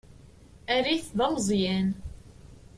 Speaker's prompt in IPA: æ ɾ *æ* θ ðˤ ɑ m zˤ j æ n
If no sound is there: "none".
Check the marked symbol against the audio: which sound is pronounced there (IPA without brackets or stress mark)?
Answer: i